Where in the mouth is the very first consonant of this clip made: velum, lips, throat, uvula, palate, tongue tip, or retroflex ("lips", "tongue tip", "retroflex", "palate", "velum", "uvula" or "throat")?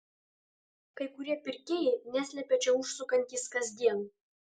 velum